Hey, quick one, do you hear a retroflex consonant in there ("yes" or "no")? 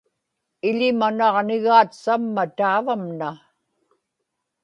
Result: no